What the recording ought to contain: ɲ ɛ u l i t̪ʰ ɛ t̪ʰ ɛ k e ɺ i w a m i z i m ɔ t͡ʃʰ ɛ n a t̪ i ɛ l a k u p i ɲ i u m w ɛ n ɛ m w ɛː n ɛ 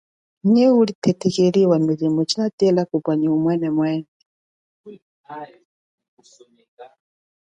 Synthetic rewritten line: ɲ ɛ u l i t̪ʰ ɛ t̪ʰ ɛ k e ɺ i w a m i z i m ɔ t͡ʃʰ i n a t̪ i ɛ l a k u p a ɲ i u m w ɛ n ɛ m w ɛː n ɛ

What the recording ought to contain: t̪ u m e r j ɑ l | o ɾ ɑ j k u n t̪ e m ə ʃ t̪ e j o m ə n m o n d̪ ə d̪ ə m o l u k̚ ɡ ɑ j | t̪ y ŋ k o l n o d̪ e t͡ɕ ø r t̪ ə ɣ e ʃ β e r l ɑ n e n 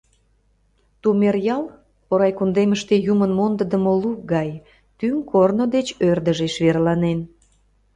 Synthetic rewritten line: t̪ u m e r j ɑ l | o ɾ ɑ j k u n d̪ e m ə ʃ t̪ e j u m ə n m o n d̪ ə d̪ ə m o l u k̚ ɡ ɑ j | t̪ y ŋ k o r n o d̪ e t͡ɕ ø r d̪ ə ʒ e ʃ β e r l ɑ n e n

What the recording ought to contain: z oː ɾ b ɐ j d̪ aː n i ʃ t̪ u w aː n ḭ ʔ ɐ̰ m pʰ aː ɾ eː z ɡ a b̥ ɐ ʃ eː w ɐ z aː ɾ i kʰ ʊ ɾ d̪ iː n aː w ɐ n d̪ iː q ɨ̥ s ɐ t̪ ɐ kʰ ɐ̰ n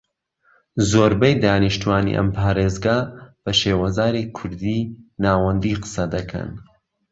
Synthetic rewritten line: z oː ɾ b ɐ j d̪ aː n i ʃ t̪ u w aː n ḭ ʔ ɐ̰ m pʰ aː ɾ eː z ɡ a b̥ ɐ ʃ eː w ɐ z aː ɾ i kʰ ʊ ɾ d̪ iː n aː w ɐ n d̪ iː q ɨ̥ s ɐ d̪ ɐ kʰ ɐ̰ n

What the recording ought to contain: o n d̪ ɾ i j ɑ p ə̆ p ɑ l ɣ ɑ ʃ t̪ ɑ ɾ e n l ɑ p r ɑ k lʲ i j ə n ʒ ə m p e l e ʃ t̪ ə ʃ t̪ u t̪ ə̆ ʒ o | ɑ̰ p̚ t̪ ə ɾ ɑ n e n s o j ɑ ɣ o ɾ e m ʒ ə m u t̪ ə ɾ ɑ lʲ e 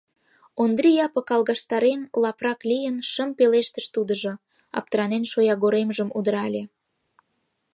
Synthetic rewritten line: o n d̪ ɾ i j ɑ p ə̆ k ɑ l ɣ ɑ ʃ t̪ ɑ ɾ e n l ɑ p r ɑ k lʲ i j ə n ʃ ə m p e l e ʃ t̪ ə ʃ t̪ u d̪ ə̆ ʒ o | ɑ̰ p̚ t̪ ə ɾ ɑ n e n ʃ o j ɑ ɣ o ɾ e m ʒ ə m u d̪ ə ɾ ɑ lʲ e

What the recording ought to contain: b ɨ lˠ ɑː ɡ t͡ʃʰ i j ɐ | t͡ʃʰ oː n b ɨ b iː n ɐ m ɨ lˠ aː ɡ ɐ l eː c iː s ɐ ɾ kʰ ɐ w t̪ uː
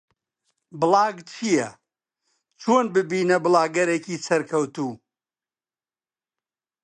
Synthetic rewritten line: b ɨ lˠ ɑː ɡ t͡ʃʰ i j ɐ | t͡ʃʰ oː n b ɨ b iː n ɐ b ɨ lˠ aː ɡ ɐ ɾ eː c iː s ɐ ɾ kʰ ɐ w t̪ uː

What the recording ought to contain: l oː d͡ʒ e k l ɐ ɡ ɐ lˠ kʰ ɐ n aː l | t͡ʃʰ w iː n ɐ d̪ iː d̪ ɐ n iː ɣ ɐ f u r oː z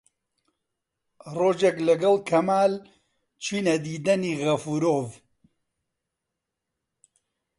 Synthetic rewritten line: r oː d͡ʒ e k l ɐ ɡ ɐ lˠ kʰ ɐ m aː l | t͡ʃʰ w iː n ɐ d̪ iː d̪ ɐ n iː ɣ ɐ f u ɾ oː v

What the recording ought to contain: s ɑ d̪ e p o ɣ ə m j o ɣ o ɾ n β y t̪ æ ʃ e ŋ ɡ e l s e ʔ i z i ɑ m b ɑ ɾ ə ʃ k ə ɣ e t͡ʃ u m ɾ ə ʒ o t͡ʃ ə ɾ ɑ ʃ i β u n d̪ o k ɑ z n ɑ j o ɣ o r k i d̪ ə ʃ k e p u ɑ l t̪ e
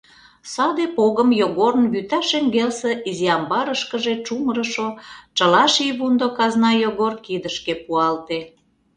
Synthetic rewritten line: s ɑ d̪ e p o ɣ ə m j o ɣ o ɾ n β y t̪ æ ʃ e ŋ ɡ e l s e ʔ i z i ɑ m b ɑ ɾ ə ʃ k ə ʒ e t͡ʃ u m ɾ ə ʃ o t͡ʃ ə l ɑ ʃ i β u n d̪ o k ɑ z n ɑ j o ɣ o r k i d̪ ə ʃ k e p u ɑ l t̪ e

